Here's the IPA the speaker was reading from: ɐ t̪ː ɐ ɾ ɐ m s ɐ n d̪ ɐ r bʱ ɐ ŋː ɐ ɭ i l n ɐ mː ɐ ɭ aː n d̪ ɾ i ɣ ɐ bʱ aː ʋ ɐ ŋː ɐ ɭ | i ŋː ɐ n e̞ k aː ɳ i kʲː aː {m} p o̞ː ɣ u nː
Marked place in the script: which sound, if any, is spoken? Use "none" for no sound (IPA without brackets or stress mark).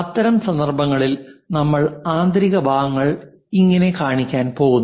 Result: n